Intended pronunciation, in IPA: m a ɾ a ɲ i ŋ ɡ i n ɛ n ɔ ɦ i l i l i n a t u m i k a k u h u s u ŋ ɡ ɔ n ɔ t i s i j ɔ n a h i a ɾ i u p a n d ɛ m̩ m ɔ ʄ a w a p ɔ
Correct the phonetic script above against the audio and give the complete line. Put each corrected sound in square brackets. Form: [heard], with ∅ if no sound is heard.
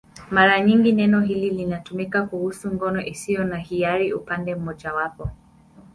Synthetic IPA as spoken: m a ɾ a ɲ i ŋ ɡ i n ɛ n ɔ ɦ i l i l i n a t u m i k a k u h u s u ŋ ɡ ɔ n ɔ [ʔ] i s i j ɔ n a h i a ɾ i u p a n d ɛ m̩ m ɔ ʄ a w a p ɔ